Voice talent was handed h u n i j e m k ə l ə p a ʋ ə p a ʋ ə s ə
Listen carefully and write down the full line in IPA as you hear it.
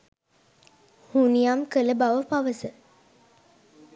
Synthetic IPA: h u n i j a m k ə l ə b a ʋ ə p a ʋ ə s ə